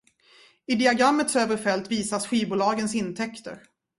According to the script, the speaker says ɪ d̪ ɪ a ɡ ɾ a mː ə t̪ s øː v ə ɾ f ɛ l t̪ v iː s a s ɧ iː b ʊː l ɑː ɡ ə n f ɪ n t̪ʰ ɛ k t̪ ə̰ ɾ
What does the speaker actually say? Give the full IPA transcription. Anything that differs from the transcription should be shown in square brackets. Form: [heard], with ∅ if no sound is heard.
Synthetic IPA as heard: ɪ d̪ ɪ a ɡ ɾ a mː ə t̪ s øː v ə ɾ f ɛ l t̪ v iː s a s ɧ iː b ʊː l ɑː ɡ ə n [s] ɪ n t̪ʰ ɛ k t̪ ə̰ ɾ